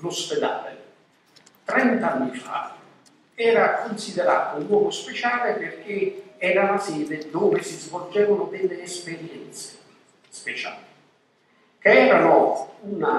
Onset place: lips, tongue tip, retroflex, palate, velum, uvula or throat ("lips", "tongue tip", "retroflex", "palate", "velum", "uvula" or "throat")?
tongue tip